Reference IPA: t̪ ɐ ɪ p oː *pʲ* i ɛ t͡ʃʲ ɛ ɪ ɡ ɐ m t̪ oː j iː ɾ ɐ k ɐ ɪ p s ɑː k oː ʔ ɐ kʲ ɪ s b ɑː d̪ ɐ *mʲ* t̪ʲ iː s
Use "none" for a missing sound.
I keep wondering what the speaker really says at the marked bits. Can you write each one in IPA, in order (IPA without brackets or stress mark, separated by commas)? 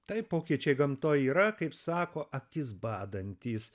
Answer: kʲ, nʲ